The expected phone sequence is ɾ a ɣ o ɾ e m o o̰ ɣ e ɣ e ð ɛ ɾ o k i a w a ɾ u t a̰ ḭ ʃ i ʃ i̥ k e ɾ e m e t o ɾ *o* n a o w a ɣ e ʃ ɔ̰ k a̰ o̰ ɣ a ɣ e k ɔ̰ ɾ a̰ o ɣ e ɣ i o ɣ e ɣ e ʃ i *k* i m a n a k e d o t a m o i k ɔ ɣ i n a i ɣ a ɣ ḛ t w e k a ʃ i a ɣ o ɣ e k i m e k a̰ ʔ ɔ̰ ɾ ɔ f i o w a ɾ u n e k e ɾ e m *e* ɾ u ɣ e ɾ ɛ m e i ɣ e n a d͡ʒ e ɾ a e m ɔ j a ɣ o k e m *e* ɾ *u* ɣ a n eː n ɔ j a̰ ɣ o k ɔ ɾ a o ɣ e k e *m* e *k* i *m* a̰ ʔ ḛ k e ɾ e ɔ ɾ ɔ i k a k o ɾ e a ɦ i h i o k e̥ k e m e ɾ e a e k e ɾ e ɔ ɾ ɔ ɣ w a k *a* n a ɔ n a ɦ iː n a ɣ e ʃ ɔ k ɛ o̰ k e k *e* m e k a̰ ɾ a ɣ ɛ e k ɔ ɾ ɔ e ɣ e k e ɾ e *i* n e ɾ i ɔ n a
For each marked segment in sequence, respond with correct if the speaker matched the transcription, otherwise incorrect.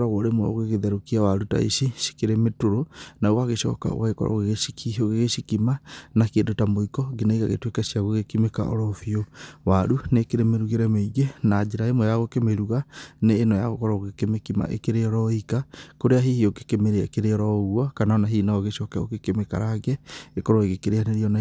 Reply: correct, correct, correct, correct, correct, correct, correct, correct, correct, correct, incorrect: a

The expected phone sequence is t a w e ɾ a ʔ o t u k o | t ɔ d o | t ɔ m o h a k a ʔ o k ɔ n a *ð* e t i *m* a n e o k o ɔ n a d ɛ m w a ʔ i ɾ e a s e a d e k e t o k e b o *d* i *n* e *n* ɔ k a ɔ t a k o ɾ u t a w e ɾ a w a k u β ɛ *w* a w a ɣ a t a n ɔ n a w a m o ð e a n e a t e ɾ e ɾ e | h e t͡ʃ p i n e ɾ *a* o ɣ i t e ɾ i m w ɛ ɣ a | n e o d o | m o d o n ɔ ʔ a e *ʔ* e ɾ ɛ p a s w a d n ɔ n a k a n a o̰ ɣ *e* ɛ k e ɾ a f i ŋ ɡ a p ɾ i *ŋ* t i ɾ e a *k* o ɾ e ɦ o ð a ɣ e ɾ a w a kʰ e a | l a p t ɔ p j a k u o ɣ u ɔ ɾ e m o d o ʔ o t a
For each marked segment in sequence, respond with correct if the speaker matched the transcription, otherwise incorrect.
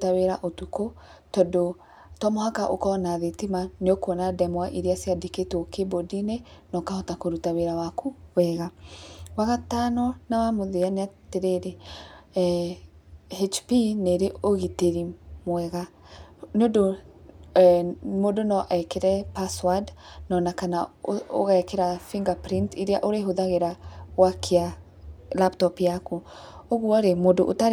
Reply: correct, correct, correct, correct, correct, incorrect: ɣ, incorrect: e, incorrect: k, incorrect: a, incorrect: n, incorrect: ʔ

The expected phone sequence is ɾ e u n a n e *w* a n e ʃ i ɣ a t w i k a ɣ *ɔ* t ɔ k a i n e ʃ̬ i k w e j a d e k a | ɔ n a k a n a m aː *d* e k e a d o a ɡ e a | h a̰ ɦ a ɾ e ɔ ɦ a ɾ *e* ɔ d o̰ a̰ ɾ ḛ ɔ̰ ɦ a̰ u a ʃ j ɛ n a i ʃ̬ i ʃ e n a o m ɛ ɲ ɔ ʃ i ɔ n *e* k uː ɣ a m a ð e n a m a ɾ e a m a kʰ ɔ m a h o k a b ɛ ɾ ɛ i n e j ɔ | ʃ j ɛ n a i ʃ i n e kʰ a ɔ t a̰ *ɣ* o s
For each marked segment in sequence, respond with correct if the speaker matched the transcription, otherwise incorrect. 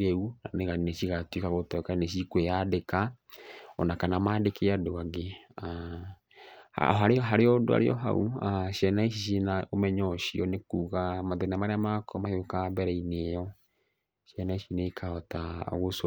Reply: incorrect: ɣ, incorrect: o, correct, correct, correct, correct

